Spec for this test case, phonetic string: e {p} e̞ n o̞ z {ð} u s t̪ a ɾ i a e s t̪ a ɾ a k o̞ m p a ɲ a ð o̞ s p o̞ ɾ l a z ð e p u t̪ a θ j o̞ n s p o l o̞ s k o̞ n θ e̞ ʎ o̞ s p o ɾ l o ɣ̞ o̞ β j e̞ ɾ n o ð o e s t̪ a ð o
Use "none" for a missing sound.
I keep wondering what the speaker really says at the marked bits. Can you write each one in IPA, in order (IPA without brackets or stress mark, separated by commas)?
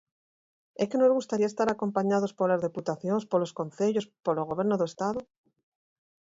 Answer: k, ɣ